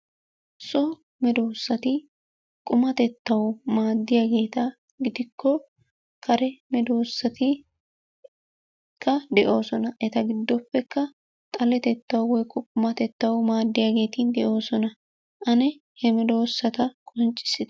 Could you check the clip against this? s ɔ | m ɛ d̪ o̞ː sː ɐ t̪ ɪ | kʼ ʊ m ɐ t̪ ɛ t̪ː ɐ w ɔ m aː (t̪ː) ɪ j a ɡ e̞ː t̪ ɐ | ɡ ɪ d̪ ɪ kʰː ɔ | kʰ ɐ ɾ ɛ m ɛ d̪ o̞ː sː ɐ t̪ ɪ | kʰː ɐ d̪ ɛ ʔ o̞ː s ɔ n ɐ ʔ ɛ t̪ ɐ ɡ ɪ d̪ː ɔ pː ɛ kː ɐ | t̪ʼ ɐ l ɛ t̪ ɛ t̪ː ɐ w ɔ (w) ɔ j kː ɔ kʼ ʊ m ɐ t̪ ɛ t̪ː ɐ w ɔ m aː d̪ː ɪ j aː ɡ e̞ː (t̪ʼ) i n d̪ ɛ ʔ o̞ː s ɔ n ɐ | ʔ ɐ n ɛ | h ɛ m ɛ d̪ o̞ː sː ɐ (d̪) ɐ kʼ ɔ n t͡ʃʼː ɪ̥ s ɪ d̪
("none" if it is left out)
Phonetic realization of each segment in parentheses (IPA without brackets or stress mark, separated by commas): d̪ː, w, t̪, t̪